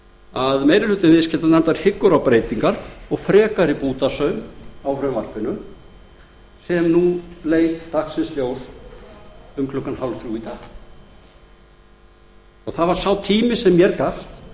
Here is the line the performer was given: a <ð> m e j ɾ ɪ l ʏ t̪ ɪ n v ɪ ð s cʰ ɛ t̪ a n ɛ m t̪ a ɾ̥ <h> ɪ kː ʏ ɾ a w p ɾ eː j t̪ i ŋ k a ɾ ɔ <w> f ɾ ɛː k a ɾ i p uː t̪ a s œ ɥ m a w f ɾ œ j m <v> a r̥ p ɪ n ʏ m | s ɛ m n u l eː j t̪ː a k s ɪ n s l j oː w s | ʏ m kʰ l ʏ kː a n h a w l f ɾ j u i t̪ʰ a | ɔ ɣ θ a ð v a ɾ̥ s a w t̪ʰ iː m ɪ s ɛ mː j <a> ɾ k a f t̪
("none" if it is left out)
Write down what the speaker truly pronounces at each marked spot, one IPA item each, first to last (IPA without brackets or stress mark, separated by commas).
ð, h, ɣ, v, ɛ